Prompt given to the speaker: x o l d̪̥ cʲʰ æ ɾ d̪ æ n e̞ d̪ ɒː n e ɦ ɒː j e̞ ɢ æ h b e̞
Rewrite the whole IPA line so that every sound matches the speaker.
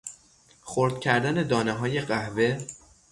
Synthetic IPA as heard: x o ɾ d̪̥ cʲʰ æ ɾ d̪ æ n e̞ d̪ ɒː n e ɦ ɒː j e̞ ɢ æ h v e̞